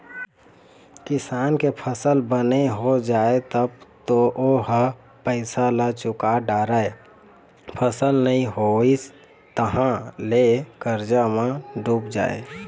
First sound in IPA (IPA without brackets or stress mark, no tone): k